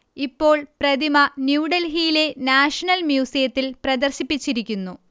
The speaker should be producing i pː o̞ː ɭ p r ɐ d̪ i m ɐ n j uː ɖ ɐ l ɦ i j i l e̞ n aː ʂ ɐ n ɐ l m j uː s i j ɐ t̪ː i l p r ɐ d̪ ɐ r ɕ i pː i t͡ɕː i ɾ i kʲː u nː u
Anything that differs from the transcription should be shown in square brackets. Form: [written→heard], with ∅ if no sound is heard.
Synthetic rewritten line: i pː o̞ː ɭ p r ɐ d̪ i m ɐ n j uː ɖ ɐ l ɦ i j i l e̞ n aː ʂ ɐ n ɐ l m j uː s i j ɐ t̪ː i l p r ɐ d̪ ɐ r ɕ i pː i t͡ɕː i ɾ i kʲː u nː u